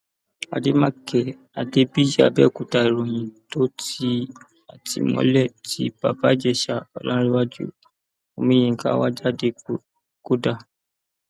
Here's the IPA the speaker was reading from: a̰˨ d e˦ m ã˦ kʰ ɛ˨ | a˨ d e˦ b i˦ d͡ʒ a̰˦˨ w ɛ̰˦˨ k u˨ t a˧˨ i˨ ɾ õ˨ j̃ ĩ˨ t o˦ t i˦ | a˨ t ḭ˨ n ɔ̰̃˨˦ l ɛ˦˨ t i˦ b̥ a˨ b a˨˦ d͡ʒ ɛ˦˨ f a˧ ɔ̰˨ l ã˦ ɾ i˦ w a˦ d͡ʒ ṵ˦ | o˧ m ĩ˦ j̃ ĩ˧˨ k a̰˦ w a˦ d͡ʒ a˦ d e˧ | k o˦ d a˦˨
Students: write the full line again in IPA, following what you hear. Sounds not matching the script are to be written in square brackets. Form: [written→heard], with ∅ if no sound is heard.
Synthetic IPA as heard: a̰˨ d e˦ m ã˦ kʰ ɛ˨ | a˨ d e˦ b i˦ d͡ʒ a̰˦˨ [w→b] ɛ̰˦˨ k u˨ t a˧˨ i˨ ɾ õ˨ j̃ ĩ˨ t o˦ t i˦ | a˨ t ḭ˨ [n→m] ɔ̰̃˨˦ l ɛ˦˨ t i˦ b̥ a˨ b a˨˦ d͡ʒ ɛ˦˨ [f→ʃ] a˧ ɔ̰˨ l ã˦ ɾ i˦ w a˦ d͡ʒ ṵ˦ | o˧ m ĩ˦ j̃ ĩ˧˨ k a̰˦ w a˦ d͡ʒ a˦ d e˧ | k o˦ d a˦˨